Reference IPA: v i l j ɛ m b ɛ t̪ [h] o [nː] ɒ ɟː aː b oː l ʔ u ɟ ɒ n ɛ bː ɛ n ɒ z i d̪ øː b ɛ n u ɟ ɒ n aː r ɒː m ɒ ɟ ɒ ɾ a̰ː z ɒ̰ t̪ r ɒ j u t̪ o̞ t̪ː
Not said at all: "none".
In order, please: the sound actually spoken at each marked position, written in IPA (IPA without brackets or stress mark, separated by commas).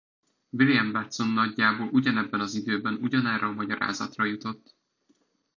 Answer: s, nː